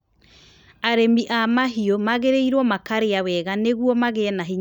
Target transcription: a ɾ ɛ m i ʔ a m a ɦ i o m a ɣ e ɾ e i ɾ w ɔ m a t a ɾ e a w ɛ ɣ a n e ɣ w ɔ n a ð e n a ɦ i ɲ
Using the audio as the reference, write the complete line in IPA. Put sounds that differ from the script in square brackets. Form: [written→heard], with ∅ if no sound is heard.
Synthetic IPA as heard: a ɾ [ɛ→e] m i ʔ a m a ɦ i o m a ɣ e ɾ e i ɾ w ɔ m a [t→k] a ɾ e a w ɛ ɣ a n e ɣ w ɔ [n→m] a [ð→ɣ] e n a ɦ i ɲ